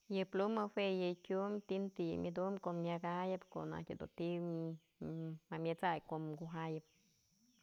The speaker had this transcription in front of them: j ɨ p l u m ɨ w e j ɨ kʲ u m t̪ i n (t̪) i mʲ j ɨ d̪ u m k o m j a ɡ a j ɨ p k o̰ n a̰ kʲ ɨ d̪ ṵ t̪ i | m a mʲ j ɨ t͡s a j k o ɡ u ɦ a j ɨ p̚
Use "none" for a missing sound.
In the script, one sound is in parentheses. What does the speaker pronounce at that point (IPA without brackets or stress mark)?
t̪